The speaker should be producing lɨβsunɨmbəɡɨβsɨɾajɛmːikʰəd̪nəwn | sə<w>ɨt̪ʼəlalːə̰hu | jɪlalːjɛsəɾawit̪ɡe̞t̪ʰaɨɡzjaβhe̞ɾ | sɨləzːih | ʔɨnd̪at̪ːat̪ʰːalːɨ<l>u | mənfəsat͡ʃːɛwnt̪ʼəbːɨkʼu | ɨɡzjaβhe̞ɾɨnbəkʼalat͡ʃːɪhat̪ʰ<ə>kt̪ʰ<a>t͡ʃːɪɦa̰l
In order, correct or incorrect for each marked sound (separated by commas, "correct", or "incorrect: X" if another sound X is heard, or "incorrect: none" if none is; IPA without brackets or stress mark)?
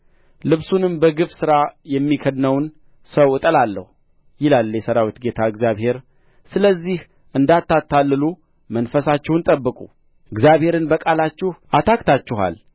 correct, correct, incorrect: a, correct